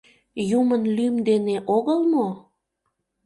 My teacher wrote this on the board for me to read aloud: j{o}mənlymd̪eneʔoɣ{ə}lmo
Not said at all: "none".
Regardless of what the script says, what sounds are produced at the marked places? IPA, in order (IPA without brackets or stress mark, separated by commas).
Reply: u, ə